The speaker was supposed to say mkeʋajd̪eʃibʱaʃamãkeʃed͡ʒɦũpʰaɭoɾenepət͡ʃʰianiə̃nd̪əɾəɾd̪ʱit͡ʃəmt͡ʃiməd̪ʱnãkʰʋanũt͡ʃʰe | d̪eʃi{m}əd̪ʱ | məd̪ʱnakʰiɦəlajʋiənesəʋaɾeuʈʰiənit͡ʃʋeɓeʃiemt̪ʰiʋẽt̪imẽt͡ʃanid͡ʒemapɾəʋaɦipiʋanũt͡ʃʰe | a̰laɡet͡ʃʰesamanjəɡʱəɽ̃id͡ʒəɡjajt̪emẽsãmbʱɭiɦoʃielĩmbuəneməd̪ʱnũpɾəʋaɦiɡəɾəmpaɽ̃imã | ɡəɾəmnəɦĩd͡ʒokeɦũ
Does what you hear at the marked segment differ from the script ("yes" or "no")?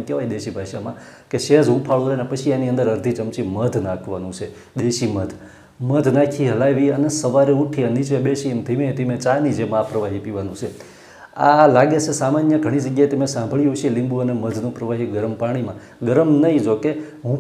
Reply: no